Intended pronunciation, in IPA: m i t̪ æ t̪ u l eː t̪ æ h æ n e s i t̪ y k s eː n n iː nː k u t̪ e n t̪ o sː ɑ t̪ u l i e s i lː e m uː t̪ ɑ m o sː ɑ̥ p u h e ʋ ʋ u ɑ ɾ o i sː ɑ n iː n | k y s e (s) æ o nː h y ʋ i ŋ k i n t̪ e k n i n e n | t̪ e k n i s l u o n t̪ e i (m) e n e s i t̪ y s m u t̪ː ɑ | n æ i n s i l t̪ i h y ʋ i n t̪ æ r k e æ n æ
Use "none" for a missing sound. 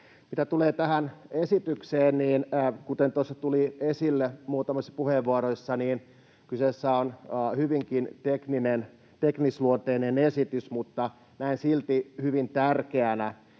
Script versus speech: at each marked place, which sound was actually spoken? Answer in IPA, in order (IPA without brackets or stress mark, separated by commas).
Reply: sː, n